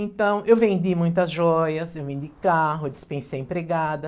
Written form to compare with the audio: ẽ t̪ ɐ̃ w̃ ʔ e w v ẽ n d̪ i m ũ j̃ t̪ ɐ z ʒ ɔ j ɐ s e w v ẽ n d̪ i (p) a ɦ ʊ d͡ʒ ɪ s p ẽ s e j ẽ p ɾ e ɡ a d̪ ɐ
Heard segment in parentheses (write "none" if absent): k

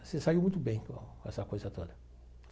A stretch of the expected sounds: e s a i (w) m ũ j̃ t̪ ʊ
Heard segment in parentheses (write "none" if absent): w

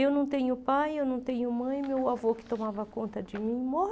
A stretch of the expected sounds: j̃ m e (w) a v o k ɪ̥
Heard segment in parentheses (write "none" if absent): w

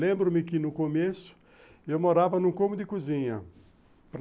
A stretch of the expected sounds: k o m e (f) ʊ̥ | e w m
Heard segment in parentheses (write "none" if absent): s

